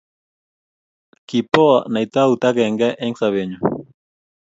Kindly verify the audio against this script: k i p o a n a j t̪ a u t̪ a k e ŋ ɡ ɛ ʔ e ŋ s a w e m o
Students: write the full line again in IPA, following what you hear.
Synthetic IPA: k i p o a n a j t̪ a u t̪ a k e ŋ ɡ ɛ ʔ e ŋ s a β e ɲ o